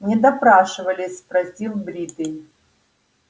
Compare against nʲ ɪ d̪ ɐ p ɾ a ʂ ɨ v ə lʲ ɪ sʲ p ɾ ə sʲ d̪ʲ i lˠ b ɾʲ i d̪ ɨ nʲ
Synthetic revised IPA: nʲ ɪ d̪ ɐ p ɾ a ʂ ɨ v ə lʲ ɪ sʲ p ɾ ɐ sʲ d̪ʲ i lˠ b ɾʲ i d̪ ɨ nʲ